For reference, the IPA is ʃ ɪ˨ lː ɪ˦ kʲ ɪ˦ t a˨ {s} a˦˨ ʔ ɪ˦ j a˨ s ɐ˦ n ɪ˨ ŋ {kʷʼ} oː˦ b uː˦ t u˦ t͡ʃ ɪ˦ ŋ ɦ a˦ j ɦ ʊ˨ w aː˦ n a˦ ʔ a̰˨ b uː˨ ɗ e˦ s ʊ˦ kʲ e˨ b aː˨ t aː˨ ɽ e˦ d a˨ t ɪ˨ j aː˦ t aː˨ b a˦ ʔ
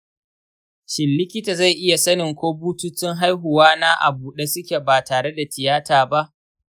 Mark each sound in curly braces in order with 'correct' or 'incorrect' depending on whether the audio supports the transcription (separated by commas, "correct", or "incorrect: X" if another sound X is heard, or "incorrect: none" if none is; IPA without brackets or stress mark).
incorrect: z, incorrect: kʷ